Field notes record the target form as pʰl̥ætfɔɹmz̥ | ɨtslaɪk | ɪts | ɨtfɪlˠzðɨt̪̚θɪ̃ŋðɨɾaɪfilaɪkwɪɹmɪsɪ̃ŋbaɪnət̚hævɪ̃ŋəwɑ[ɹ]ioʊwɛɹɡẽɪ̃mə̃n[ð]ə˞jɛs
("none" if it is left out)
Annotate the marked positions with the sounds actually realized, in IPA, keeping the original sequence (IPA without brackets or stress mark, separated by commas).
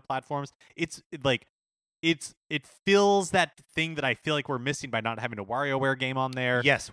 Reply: ɹ, ð